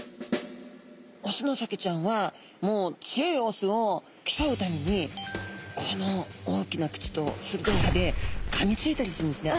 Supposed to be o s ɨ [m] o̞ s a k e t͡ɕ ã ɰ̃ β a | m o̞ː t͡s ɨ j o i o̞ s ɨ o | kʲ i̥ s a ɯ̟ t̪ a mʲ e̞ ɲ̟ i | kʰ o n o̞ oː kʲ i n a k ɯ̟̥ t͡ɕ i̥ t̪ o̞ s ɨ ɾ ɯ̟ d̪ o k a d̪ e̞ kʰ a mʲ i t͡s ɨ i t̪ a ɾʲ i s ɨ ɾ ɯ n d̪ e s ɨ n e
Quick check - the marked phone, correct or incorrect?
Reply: incorrect